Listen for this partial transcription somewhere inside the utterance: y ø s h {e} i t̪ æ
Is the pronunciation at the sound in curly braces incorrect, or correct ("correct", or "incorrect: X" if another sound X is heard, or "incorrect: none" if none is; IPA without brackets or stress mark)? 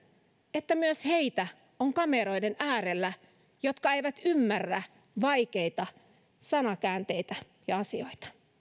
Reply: correct